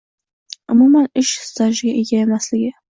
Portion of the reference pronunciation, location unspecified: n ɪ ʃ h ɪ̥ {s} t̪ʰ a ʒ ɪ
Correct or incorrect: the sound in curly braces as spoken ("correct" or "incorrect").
correct